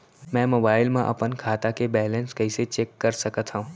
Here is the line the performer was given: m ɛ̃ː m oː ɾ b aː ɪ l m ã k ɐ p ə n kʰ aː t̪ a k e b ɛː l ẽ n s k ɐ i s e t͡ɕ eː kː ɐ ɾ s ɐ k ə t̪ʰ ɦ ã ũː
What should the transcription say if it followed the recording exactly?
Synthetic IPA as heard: m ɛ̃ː m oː b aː ɪ l m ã ʔ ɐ p ə n kʰ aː t̪ a k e b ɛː l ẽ n s k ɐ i s e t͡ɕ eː kː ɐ ɾ s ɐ k ə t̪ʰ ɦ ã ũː